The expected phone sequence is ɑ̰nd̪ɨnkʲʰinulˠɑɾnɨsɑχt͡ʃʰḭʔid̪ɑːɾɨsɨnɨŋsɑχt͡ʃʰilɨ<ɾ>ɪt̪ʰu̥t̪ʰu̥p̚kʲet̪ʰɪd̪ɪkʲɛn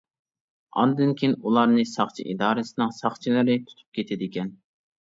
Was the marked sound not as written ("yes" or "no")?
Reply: no